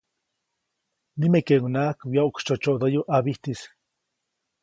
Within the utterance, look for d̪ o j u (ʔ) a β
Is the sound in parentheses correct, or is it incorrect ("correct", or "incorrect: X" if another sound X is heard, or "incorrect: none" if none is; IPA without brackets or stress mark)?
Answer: correct